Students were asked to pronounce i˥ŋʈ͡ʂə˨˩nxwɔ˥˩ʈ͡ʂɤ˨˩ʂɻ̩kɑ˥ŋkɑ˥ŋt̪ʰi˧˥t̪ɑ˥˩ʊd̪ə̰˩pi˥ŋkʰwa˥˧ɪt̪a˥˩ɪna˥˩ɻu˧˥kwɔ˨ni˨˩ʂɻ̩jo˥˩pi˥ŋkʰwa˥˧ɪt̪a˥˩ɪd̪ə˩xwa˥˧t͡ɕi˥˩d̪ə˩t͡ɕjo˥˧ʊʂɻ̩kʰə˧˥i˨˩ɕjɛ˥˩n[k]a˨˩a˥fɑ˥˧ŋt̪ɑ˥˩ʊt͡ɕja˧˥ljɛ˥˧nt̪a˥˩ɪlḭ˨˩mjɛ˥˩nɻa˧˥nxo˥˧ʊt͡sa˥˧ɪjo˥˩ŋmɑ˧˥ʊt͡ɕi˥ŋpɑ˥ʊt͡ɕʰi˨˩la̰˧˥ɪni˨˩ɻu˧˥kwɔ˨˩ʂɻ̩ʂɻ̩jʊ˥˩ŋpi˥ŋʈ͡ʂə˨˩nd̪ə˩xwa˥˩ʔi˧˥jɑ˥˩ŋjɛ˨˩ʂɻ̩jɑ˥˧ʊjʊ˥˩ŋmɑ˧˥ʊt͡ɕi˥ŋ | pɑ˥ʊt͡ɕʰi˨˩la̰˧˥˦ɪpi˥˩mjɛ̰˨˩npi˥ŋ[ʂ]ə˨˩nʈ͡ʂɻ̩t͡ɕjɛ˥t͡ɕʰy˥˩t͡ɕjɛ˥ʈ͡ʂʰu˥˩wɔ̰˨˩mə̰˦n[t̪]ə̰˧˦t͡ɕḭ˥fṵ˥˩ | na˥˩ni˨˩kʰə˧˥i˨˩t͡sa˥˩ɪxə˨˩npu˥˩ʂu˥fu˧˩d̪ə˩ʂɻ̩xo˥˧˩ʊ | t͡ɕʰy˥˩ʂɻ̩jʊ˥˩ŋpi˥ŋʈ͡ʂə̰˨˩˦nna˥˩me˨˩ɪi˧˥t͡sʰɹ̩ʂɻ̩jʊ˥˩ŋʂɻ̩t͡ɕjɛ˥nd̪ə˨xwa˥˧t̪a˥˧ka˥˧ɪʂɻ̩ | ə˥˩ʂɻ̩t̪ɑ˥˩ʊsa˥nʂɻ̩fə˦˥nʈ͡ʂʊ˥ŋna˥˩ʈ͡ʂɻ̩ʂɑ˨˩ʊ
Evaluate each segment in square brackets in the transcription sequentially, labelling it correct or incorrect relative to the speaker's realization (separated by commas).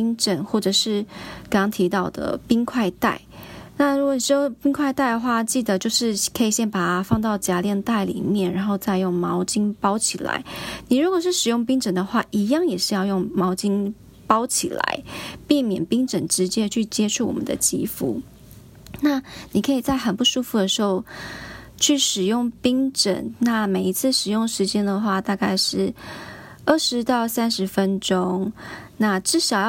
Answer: incorrect, incorrect, incorrect